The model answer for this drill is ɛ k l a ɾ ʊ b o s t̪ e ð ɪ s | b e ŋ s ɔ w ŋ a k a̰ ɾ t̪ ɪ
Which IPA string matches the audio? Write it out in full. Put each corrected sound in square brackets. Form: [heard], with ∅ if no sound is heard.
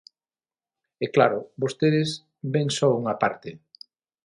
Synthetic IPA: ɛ k l a ɾ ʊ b o s t̪ e ð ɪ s | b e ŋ s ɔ [u] ŋ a [p] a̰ ɾ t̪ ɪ